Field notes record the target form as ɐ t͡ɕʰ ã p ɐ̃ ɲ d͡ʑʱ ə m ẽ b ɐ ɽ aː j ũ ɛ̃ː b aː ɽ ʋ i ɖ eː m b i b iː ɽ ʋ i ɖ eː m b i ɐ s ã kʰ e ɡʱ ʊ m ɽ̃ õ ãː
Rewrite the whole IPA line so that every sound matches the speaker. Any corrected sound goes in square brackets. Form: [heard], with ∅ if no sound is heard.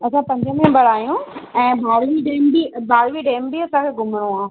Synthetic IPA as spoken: ɐ t͡ɕʰ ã p ɐ̃ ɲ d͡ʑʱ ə m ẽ b ɐ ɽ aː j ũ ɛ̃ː b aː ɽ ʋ i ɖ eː m b i b [aː] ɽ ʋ i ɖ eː m b i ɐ s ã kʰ e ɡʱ ʊ m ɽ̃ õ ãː